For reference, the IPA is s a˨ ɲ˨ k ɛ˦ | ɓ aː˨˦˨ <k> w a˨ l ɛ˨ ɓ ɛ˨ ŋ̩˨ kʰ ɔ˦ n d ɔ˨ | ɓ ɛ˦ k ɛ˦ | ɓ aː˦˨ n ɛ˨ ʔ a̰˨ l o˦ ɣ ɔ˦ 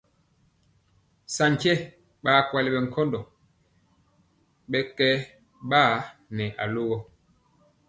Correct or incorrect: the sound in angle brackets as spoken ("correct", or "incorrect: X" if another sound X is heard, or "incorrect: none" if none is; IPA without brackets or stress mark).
correct